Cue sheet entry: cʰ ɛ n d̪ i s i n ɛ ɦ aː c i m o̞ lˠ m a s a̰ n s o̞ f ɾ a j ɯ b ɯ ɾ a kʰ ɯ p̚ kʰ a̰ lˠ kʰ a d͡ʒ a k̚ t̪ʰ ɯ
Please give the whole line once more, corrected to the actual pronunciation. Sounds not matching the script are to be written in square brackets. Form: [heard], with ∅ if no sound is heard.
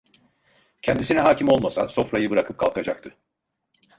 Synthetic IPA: cʰ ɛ n d̪ i s i n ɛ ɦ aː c i m o̞ lˠ m a s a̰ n s o̞ f ɾ a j ɯ b ɯ ɾ a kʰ ɯ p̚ kʰ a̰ lˠ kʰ a d͡ʒ a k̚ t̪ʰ ɯ